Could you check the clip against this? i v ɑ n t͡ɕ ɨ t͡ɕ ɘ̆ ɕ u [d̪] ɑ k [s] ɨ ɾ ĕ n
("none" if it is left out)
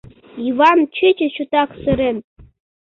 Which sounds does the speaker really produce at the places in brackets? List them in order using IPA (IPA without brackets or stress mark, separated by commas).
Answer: t̪, s